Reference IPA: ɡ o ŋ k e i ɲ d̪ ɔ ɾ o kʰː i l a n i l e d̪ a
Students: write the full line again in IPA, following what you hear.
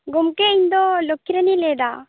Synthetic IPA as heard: ɡ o m k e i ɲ d̪ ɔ l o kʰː i ɾ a n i l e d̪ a